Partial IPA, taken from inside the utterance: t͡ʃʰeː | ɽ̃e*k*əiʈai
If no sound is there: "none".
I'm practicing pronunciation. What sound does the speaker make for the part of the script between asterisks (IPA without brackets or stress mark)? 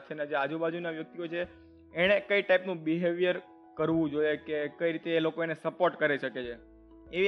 k